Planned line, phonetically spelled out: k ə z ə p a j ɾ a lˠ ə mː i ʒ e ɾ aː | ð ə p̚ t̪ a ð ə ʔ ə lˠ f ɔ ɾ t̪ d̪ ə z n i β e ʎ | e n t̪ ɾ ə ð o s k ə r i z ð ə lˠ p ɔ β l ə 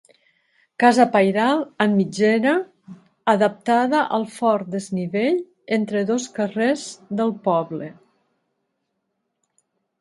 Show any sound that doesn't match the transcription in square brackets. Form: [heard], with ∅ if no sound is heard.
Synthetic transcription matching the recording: k [a] z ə p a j ɾ a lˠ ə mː i [d͡ʒ] e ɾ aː | ð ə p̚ t̪ a ð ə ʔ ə lˠ f ɔ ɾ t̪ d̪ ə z n i β e ʎ | e n t̪ ɾ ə ð o s k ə r [e] z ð ə lˠ p ɔ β l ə

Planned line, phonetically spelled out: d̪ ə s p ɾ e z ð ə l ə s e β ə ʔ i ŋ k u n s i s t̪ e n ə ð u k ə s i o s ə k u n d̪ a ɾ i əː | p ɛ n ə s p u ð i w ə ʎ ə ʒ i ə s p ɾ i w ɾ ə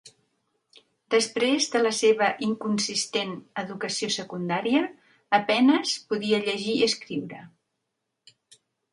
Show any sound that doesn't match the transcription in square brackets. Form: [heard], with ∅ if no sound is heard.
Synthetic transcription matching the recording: d̪ ə s p ɾ e z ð ə l ə s e β ə ʔ i ŋ k u n s i s t̪ e n ə ð u k ə s i o s ə k u n d̪ a ɾ i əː | p ɛ n ə s p u ð i [∅] ə ʎ ə ʒ i ə s [k] ɾ i w ɾ ə

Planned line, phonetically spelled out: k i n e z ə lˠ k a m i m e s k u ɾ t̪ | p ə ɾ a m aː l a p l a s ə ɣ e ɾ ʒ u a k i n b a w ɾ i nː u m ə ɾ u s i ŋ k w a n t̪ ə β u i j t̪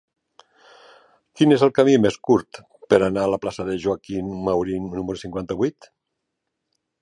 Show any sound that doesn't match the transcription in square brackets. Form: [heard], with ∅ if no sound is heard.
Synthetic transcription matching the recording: k i n e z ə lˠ k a m i m e s k u ɾ t̪ | p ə ɾ a [n] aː l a p l a s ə [ð] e [∅] ʒ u a k i n [m] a w ɾ i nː u m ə ɾ u s i ŋ k w a n t̪ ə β u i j t̪

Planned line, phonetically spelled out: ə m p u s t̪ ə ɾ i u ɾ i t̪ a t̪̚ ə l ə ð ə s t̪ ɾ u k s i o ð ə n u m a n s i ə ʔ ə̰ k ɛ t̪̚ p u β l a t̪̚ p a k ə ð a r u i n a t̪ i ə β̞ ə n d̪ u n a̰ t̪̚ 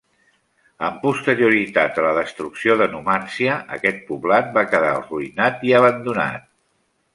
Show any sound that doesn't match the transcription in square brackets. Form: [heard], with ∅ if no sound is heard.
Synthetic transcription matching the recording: ə m p u s t̪ ə ɾ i u ɾ i t̪ a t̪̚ ə l ə ð ə s t̪ ɾ u k s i o ð ə n u m a n s i ə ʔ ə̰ k ɛ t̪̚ p u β l a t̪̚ [b] a k ə ð a r u i n a t̪ i ə β̞ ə n d̪ u n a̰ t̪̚

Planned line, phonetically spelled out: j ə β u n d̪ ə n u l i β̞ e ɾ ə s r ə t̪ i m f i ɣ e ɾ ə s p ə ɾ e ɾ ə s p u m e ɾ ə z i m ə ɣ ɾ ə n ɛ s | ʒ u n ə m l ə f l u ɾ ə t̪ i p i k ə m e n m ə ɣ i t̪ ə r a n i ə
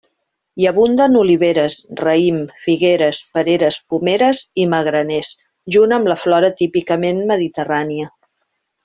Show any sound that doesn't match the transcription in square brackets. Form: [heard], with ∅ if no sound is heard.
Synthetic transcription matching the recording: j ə β u n d̪ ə n u l i β̞ e ɾ ə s r ə [∅] i m f i ɣ e ɾ ə s p ə ɾ e ɾ ə s p u m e ɾ ə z i m ə ɣ ɾ ə n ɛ s | ʒ u n ə m l ə f l [ɔ] ɾ ə t̪ i p i k ə m e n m ə [ð] i t̪ ə r a n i ə

